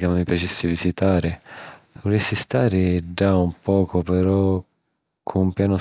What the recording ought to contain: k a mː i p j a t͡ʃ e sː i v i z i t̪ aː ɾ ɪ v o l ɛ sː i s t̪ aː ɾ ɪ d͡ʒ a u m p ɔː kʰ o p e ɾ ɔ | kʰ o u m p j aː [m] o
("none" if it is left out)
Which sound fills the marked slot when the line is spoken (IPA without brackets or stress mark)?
n